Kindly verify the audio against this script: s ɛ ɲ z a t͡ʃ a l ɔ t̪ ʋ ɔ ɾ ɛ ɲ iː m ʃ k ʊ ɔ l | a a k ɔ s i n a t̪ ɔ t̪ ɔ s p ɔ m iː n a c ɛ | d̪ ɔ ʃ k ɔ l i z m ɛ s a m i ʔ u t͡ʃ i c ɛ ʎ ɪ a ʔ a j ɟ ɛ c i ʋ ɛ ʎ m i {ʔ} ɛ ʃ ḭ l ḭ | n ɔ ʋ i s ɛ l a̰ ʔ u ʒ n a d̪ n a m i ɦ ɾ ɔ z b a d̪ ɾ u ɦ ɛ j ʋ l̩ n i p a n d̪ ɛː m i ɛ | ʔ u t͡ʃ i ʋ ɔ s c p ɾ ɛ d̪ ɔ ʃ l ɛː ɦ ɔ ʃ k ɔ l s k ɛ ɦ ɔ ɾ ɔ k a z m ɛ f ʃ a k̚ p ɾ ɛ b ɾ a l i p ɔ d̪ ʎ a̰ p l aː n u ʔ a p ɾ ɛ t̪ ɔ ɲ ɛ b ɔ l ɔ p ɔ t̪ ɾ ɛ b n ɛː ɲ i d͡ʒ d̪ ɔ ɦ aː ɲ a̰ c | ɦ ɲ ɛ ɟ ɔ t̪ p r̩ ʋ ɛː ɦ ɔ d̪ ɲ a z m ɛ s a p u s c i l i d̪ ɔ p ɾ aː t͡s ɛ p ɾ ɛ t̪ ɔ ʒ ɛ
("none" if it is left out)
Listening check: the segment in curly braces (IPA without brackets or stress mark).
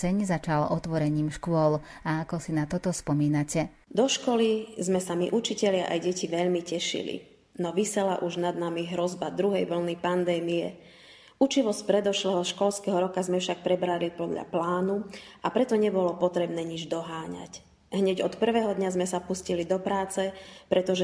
c